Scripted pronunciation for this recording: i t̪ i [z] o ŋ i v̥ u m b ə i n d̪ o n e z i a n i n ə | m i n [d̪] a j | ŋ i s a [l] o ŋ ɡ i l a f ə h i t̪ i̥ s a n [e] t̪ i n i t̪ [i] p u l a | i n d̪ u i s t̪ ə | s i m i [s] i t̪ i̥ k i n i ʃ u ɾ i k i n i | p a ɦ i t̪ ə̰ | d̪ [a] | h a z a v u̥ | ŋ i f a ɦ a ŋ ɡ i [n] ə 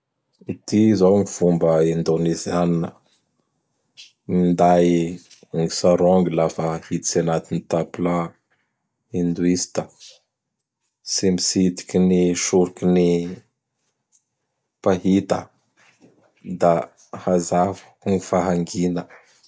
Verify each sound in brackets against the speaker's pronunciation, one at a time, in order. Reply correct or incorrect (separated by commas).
correct, correct, incorrect, incorrect, incorrect, correct, correct, correct